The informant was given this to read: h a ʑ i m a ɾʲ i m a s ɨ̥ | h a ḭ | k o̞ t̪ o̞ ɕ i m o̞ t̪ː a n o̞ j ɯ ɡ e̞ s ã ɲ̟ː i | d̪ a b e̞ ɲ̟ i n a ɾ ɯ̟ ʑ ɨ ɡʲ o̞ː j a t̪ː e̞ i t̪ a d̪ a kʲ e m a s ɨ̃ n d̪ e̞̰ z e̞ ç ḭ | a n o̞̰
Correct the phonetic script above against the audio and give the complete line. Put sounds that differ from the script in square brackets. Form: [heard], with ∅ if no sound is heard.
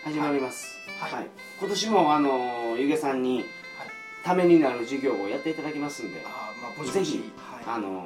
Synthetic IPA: h a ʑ i m a ɾʲ i m a s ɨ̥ | h a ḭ | k o̞ t̪ o̞ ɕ i m o̞ [∅] a n o̞ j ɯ ɡ e̞ s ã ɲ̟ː i | [t̪] a [m] e̞ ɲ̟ i n a ɾ ɯ̟ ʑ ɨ ɡʲ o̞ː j a t̪ː e̞ i t̪ a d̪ a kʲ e m a s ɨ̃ n d̪ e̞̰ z e̞ ç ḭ | a n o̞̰